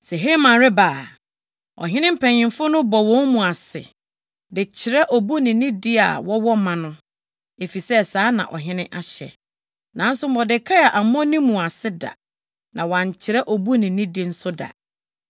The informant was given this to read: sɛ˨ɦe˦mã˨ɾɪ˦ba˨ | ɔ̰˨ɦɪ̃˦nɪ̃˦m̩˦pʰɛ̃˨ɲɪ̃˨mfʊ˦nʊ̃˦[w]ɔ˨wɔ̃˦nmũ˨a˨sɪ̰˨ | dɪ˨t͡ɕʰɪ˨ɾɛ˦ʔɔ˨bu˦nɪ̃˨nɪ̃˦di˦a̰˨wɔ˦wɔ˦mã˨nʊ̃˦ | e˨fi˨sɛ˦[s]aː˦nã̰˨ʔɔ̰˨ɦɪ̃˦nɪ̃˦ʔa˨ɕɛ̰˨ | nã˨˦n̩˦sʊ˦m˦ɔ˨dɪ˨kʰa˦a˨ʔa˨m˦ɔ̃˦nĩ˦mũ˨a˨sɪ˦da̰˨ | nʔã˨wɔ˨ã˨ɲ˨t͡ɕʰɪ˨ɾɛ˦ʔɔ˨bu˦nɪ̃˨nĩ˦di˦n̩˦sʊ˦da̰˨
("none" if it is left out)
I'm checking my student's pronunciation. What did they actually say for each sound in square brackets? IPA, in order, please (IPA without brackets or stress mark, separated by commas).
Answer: b, s